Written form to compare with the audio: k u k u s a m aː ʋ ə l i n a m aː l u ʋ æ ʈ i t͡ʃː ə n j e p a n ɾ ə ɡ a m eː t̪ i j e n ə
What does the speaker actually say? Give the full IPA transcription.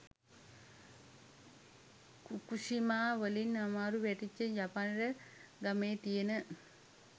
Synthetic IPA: k u k u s i m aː ʋ ə l i n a m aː ɾ u ʋ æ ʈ i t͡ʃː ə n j a p a n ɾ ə ɡ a m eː t̪ i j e n ə